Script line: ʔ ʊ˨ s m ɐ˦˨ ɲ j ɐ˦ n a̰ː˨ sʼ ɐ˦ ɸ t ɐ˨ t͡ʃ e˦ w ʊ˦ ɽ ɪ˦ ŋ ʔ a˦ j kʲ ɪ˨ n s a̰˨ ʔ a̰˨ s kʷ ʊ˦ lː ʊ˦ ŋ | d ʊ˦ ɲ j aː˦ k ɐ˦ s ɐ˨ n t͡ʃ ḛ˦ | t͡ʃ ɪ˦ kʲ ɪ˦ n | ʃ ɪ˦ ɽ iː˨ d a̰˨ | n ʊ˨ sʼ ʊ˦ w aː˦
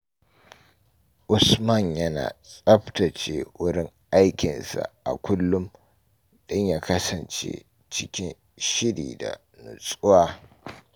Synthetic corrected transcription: ʔ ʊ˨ s m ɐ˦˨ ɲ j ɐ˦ n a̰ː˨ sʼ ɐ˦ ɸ t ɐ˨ t͡ʃ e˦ w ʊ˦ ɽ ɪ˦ ŋ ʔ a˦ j kʲ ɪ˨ n s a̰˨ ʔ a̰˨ kʷ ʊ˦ lː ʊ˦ m | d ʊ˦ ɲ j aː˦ k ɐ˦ s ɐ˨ n t͡ʃ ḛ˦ | t͡ʃ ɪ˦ kʲ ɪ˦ n | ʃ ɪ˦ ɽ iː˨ d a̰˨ | n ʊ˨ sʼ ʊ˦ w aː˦